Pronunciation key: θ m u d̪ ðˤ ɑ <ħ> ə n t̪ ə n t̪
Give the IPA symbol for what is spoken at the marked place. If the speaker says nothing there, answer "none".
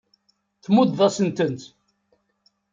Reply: s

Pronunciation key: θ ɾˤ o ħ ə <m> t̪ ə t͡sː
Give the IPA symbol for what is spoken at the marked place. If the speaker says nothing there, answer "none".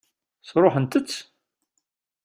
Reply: n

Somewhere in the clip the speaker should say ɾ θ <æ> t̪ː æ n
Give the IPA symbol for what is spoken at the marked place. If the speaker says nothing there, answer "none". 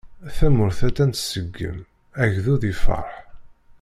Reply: æ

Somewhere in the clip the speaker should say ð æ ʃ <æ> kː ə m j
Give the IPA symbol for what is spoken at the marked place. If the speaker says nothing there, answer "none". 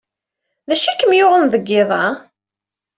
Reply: æ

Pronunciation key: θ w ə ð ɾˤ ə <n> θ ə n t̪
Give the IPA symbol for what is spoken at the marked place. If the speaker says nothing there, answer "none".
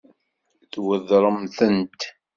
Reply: m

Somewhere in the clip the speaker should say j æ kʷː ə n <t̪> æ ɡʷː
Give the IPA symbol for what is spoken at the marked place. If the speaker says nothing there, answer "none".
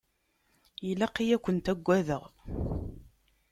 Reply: t̪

